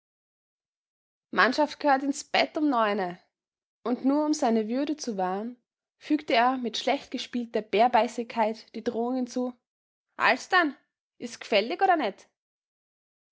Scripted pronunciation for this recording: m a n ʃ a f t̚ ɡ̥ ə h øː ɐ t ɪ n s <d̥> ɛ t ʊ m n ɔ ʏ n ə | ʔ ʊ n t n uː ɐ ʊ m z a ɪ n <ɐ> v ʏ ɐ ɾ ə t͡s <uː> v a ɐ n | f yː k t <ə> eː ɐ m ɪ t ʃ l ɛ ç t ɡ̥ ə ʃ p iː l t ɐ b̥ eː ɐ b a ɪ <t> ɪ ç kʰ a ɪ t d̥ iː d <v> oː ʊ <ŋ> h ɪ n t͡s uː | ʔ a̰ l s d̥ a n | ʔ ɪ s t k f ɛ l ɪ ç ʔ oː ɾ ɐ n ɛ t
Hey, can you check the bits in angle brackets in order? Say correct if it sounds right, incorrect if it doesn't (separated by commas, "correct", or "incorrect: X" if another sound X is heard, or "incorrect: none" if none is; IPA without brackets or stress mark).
incorrect: b̥, incorrect: ə, incorrect: u, correct, incorrect: s, incorrect: ʁ, correct